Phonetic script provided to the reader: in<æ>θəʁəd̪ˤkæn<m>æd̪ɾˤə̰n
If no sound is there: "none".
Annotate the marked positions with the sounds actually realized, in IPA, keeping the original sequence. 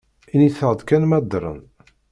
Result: i, m

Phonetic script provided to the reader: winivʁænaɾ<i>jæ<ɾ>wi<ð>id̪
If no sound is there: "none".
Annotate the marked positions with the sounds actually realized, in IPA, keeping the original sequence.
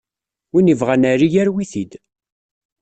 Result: i, ɾ, θ

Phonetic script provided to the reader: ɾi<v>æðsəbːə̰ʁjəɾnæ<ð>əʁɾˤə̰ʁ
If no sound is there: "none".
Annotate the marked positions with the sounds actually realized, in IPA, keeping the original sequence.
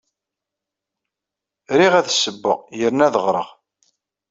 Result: ʁ, ð

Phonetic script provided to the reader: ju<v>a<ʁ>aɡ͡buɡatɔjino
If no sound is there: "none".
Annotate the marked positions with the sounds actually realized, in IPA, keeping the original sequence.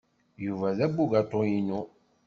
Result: v, z

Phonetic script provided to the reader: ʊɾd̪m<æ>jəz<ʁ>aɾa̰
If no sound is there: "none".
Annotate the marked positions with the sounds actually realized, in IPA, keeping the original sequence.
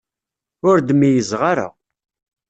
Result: i, ʁ

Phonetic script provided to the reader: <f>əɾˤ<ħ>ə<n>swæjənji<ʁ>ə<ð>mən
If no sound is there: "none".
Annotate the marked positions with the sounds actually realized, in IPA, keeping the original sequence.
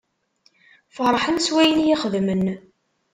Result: f, ħ, n, χ, ð

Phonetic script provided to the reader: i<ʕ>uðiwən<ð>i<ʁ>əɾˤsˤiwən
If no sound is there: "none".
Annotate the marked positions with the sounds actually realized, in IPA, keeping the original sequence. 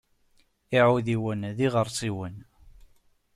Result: ʕ, ð, ʁ

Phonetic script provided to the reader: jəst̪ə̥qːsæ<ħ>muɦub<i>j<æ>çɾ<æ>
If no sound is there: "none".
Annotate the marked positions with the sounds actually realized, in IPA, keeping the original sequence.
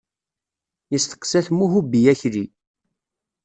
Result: θ, i, æ, i

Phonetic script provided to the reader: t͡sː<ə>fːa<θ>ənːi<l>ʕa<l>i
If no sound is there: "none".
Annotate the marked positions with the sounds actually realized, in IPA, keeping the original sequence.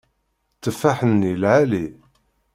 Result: ə, ħ, l, l

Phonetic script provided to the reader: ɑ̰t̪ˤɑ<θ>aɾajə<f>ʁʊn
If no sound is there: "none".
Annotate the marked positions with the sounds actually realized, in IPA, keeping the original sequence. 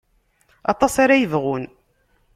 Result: s, v

